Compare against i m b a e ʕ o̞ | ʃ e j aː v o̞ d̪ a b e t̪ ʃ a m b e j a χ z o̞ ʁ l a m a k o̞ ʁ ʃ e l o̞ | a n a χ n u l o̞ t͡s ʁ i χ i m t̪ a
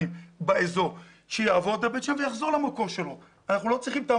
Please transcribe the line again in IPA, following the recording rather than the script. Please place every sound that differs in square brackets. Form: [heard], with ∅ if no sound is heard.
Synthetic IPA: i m b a e [z] o̞ | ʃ e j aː v o̞ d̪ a b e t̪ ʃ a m [v] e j a χ z o̞ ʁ l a m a k o̞ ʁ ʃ e l o̞ | a n a χ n u l o̞ t͡s ʁ i χ i m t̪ a